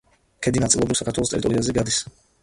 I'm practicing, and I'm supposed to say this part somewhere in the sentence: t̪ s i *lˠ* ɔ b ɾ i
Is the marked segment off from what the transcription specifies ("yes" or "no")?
no